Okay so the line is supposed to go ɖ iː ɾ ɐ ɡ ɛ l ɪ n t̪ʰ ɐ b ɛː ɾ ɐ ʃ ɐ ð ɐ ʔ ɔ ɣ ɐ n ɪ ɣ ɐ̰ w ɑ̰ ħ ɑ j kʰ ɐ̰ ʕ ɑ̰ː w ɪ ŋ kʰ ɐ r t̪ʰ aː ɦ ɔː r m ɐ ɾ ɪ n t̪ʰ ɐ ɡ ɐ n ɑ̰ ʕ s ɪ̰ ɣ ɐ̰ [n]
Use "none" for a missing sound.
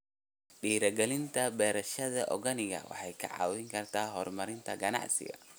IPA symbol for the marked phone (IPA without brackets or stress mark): none